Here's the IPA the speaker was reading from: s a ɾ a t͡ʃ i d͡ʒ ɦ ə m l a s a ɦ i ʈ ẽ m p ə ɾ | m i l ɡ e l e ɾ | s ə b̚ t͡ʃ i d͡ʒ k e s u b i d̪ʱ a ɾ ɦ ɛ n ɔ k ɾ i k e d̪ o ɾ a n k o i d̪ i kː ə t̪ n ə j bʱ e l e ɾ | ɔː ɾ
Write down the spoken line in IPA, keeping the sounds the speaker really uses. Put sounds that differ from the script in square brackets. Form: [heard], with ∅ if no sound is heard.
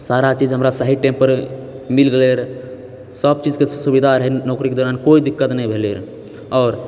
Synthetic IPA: s a ɾ a t͡ʃ i d͡ʒ ɦ ə m [ɾ] a s a ɦ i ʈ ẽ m p ə ɾ | m i l ɡ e l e ɾ | s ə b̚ t͡ʃ i d͡ʒ k e s u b i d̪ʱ a ɾ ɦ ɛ n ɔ k ɾ i k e d̪ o ɾ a n k o i d̪ i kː ə t̪ n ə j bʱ e l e ɾ | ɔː ɾ